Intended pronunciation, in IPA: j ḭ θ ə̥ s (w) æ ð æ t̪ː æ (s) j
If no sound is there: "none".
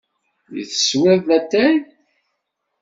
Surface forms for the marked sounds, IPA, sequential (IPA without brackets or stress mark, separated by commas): w, none